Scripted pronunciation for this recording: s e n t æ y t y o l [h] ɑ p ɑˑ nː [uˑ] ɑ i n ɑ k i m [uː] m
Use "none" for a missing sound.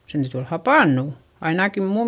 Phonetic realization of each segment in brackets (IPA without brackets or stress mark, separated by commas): h, uˑ, uː